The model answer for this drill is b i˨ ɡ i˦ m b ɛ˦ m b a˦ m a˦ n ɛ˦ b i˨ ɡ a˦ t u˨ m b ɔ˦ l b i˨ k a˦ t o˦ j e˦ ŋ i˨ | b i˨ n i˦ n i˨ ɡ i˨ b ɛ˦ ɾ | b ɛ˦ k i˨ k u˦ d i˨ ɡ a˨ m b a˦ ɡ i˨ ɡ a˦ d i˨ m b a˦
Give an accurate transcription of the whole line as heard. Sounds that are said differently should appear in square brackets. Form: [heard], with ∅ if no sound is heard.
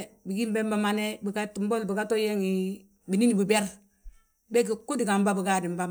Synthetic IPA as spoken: b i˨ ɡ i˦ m b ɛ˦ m b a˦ m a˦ n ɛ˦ b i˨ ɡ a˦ t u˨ m b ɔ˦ l b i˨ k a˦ t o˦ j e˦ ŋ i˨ | b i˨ n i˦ n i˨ [b] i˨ b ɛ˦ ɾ | b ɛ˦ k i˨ k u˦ d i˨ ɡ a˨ m b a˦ [b] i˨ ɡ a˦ d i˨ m b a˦